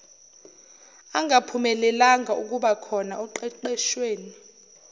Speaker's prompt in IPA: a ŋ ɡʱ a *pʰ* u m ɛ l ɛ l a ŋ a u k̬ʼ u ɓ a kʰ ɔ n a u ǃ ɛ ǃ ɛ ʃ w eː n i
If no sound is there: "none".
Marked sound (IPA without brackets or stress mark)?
pʰ